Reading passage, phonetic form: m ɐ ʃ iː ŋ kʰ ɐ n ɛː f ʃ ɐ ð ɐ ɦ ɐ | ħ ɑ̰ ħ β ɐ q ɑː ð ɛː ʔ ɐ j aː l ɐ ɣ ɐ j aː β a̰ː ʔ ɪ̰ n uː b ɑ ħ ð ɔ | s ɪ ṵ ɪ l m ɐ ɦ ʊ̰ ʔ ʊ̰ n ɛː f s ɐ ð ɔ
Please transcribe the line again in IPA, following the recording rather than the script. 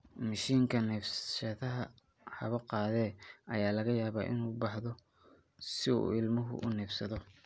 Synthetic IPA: m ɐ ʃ iː ŋ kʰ ɐ n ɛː f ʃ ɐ ð ɐ ɦ ɐ | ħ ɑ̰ β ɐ q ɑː ð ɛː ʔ ɐ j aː l ɐ ɣ ɐ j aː β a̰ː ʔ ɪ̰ n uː b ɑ ħ ð ɔ | s ɪ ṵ ɪ l m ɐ ɦ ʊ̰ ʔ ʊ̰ n ɛː f s ɐ ð ɔ

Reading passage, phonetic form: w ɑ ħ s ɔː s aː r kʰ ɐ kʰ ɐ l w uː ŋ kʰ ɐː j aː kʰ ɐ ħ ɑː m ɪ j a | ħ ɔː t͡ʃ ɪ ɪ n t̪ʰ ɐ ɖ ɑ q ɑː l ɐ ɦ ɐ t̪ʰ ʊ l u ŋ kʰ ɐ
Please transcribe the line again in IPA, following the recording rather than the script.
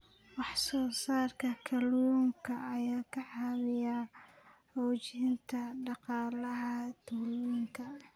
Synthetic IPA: w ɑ ħ s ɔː s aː r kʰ ɐ kʰ ɐ l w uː ŋ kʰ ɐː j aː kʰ ɐ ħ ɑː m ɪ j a | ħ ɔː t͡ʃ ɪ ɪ n t̪ʰ ɐ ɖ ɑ q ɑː l ɐ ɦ ɐ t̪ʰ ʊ l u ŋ kʰ ɐ

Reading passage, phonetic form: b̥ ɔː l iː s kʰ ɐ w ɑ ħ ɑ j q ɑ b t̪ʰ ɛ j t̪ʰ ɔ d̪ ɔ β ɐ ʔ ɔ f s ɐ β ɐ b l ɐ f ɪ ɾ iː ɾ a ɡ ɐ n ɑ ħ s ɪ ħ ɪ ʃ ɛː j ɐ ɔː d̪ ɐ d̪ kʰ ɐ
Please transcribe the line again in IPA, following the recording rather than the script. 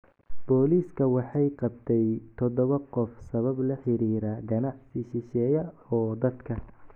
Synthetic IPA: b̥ ɔː l iː s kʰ ɐ w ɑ ħ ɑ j q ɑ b t̪ʰ ɛ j t̪ʰ ɔ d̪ ɔ β ɐ q ɔ f s ɐ β ɐ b l ɐ ħ ɪ ɾ iː ɾ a ɡ ɐ n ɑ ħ s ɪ ʃ ɪ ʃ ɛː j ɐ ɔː d̪ ɐ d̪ kʰ ɐ

